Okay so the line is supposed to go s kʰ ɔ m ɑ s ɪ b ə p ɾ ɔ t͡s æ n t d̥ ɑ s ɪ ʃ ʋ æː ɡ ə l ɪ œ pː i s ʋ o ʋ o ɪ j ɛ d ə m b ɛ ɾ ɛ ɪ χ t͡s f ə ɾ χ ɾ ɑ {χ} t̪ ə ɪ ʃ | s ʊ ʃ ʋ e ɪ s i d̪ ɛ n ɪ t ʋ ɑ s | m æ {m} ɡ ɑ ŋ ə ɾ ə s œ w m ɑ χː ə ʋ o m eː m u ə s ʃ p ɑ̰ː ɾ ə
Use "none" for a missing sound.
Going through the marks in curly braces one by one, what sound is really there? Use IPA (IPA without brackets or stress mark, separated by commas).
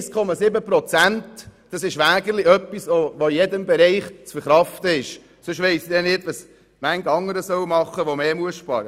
f, ŋ